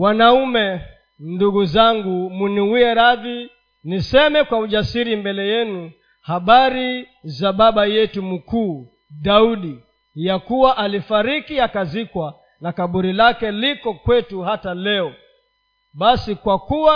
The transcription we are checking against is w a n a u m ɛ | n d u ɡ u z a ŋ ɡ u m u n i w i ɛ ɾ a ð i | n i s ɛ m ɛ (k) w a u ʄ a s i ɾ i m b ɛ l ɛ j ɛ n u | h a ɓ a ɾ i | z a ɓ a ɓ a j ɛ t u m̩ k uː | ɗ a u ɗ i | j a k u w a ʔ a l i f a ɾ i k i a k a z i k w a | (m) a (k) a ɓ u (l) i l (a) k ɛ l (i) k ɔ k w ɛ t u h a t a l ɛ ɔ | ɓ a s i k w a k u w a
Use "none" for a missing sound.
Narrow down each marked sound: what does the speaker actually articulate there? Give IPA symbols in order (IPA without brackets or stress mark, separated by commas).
k, n, k, ɾ, a, i